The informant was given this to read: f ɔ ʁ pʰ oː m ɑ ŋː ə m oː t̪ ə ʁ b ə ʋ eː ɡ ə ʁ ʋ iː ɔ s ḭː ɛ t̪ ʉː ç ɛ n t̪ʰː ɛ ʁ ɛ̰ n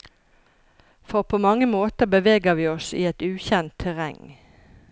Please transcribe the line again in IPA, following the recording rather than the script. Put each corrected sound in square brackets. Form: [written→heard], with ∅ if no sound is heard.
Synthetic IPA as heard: f ɔ ʁ pʰ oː m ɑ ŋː ə m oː t̪ ə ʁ b ə ʋ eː ɡ ə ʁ ʋ iː ɔ s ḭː ɛ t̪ ʉː ç ɛ n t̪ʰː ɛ ʁ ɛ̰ [n→ŋ]